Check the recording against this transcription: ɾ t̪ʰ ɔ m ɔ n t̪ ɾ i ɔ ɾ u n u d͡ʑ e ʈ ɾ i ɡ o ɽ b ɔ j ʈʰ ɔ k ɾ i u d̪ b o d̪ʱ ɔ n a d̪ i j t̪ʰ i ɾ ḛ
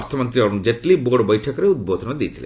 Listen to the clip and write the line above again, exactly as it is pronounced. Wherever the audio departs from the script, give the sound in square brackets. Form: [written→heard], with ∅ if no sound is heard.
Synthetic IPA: ɾ t̪ʰ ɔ m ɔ n t̪ ɾ i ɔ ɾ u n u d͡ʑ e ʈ [ɾ→l] i [ɡ→b] o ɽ b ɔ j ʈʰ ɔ k ɾ [i→e] u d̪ b o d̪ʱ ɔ n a d̪ i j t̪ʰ i [ɾ→l] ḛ